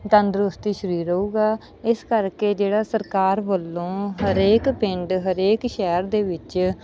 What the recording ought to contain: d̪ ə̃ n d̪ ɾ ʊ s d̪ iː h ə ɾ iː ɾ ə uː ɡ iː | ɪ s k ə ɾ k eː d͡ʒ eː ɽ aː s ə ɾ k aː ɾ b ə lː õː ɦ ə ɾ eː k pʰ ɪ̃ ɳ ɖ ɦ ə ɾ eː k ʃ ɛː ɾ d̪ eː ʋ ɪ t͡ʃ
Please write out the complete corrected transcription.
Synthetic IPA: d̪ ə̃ n d̪ ɾ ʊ s t̪ iː ʃ ə ɾ iː ɾ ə uː ɡ aː | ɪ s k ə ɾ k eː d͡ʒ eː ɽ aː s ə ɾ k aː ɾ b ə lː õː ɦ ə ɾ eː k p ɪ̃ ɳ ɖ ɦ ə ɾ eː k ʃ ɛː ɾ d̪ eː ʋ ɪ t͡ʃ